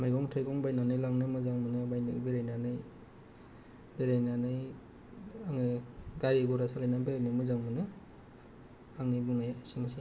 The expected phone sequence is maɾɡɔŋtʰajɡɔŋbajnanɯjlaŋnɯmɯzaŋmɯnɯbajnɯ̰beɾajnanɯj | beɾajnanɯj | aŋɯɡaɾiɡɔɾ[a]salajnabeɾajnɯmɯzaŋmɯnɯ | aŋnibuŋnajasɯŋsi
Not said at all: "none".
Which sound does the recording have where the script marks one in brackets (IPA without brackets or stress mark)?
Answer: a